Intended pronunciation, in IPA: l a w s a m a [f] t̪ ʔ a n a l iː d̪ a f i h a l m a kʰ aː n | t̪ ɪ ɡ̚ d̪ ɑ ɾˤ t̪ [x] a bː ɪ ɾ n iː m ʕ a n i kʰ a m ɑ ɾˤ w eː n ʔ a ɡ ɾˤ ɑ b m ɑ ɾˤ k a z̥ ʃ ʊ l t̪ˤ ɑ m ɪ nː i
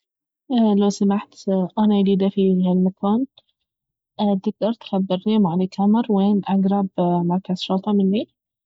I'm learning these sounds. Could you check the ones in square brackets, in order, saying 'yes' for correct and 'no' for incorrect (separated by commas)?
no, yes